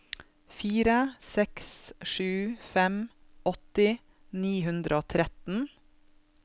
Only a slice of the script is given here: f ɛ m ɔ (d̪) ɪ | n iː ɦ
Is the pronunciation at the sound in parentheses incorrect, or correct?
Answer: incorrect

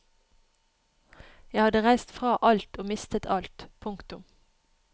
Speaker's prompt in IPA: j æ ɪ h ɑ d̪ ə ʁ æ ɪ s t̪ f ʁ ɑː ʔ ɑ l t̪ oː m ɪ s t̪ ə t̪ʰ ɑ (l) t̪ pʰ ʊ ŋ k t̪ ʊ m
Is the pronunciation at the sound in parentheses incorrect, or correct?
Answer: correct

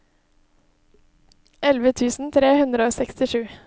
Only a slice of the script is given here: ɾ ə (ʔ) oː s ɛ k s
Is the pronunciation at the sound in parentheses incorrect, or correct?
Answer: incorrect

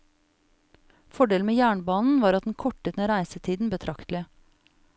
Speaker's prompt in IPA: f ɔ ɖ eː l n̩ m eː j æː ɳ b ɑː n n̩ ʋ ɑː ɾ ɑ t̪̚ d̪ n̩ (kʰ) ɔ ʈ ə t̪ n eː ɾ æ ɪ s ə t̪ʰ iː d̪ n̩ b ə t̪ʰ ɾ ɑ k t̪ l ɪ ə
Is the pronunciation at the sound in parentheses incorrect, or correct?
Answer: correct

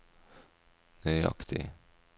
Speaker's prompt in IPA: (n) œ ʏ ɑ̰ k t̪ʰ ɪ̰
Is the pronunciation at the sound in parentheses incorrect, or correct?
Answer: correct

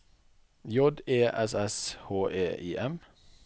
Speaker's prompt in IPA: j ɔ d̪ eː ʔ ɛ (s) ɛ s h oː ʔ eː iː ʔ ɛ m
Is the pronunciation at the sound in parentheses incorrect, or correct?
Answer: correct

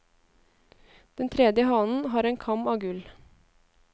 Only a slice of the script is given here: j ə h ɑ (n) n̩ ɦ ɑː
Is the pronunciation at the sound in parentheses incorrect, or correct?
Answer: correct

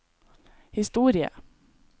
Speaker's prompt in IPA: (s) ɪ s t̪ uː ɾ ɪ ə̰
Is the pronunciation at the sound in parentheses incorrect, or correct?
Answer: incorrect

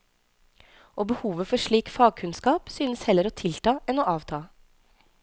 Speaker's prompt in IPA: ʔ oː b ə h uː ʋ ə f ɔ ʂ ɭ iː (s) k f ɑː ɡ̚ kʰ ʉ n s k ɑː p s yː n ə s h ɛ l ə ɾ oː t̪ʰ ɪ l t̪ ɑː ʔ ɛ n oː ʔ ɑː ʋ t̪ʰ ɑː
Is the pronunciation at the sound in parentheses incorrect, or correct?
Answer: incorrect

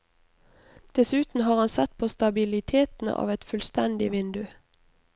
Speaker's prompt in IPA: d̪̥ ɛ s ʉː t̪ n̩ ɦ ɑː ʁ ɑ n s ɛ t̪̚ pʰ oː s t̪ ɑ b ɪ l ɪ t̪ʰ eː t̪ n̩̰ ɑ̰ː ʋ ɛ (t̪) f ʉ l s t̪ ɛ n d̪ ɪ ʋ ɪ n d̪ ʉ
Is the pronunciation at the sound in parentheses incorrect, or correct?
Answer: correct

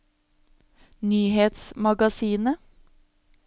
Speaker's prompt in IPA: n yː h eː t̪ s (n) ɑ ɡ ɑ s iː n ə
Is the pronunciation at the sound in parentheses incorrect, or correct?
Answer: incorrect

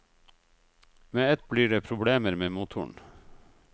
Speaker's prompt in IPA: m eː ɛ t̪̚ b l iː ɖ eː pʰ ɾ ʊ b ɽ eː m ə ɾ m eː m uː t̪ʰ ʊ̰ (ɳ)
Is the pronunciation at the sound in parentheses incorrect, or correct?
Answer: correct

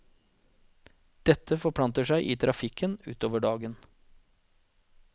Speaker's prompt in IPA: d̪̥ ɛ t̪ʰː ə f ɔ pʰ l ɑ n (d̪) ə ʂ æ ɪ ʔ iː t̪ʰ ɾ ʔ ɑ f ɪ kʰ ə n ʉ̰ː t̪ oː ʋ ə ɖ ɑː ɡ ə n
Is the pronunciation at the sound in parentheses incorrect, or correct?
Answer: incorrect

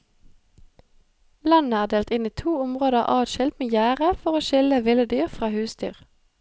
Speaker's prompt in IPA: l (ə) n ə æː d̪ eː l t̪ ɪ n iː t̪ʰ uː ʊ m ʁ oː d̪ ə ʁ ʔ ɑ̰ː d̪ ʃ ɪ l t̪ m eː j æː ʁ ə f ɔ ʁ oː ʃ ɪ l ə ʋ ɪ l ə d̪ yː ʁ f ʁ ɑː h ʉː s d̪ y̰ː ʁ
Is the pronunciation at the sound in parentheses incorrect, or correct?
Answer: incorrect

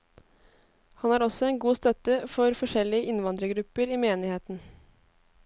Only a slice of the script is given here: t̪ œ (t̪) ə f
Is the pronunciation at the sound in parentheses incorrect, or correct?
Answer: correct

